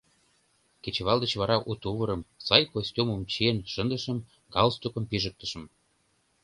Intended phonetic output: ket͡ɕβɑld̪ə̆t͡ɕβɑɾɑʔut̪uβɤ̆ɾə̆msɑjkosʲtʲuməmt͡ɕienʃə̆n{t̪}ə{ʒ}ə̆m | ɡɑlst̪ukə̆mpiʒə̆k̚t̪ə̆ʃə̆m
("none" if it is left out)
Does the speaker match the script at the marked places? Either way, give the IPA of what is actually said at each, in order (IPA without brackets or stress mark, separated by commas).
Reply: d̪, ʃ